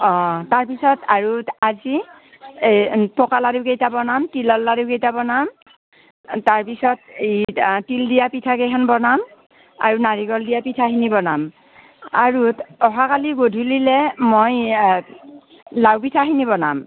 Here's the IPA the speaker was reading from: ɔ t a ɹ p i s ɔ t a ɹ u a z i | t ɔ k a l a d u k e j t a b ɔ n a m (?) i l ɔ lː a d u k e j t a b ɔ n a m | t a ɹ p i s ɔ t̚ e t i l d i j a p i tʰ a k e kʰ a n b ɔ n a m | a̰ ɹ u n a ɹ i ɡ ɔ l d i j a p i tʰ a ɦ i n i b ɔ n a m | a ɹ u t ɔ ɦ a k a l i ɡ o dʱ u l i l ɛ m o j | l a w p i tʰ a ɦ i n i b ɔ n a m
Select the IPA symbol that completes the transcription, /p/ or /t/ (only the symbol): t